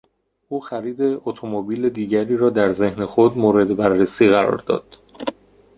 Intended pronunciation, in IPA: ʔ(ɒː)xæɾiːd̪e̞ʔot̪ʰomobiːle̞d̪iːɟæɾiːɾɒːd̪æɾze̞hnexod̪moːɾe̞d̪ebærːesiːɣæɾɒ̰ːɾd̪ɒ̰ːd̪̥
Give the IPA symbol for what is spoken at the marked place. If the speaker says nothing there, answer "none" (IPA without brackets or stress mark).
uː